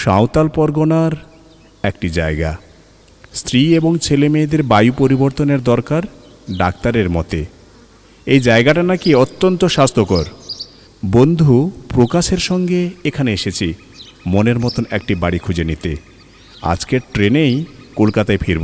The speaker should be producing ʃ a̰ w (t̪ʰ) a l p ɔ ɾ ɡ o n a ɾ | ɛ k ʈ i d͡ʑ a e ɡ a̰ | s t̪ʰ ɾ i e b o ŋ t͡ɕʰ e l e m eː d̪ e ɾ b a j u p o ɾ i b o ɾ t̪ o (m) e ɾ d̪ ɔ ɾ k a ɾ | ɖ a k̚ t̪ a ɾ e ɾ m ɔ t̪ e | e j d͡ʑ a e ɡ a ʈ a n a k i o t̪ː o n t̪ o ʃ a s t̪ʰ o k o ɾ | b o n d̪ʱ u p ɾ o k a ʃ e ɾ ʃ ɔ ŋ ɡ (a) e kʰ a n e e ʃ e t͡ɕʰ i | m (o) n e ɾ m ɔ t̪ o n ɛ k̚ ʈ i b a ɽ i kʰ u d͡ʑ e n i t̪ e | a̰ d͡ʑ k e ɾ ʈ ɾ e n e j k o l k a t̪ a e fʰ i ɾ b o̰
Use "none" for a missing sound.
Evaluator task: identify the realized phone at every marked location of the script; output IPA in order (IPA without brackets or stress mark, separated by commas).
t̪, n, e, o